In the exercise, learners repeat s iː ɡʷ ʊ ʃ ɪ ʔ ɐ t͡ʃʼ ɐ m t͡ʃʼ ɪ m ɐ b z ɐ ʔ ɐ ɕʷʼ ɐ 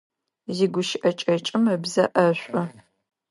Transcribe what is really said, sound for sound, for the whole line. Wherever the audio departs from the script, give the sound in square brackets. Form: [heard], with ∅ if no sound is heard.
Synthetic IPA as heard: [z] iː ɡʷ ʊ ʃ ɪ ʔ ɐ t͡ʃʼ ɐ [∅] t͡ʃʼ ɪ m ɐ b z ɐ ʔ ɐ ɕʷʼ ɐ